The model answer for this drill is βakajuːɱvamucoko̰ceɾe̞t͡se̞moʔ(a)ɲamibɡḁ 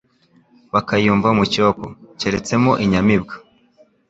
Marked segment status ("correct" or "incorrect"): incorrect